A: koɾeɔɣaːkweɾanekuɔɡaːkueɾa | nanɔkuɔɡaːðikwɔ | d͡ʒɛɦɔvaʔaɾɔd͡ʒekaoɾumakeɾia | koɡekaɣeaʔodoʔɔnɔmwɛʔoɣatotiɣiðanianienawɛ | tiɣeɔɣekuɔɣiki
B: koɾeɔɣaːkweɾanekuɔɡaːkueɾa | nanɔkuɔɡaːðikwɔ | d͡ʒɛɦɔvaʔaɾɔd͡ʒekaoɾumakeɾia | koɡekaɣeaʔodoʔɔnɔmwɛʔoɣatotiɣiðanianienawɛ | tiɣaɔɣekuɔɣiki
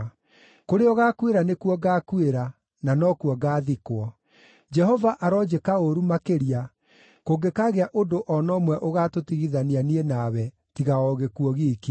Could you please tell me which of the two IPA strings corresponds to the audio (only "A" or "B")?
B